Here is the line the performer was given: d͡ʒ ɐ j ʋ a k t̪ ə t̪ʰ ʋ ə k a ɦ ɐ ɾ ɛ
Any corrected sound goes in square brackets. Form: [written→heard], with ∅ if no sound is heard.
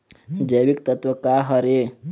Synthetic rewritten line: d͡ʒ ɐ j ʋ [a→i] k t̪ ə [t̪ʰ→t̪] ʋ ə k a ɦ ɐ ɾ [ɛ→e]